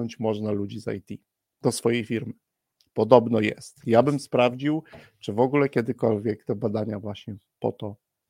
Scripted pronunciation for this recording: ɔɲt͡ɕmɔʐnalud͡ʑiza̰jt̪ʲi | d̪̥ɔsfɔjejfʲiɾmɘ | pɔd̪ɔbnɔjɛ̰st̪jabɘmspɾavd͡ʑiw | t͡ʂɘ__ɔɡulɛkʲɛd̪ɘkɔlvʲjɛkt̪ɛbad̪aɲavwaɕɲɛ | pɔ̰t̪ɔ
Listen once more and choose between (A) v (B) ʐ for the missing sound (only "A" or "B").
A